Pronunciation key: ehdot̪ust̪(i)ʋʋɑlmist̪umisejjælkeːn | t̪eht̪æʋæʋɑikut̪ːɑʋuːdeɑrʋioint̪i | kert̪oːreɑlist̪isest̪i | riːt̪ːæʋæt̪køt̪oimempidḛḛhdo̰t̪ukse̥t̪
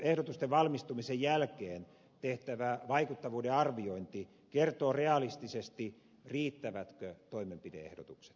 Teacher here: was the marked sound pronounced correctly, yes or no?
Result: no